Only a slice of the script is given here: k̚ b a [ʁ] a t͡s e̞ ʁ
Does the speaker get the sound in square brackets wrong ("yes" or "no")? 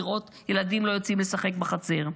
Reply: yes